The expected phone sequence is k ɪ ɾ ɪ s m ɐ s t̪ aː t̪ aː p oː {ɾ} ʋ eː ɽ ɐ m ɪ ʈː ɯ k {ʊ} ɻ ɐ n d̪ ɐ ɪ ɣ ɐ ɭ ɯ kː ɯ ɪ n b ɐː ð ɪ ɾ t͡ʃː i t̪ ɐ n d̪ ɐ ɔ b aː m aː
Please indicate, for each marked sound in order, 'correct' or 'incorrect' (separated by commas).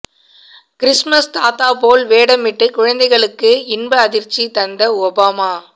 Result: incorrect, correct